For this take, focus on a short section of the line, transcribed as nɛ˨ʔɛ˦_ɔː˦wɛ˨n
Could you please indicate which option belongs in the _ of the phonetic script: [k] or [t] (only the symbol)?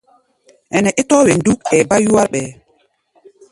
t